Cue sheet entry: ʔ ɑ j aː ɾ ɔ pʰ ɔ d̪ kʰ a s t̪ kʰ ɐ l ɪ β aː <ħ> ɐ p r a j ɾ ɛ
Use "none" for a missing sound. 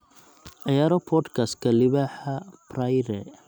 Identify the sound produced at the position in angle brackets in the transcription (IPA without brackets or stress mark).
ħ